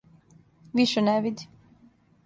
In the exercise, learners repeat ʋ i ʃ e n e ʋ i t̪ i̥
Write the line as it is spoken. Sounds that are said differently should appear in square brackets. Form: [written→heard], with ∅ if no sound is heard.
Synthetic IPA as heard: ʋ i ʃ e n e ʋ i [t̪→d̪] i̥